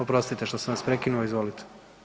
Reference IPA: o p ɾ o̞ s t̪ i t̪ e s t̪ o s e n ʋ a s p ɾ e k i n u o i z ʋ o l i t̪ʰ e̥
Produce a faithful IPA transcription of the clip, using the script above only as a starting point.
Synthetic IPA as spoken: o p ɾ o̞ s t̪ i t̪ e ʃ t̪ o s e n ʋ a s p ɾ e k i n u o i z ʋ o l i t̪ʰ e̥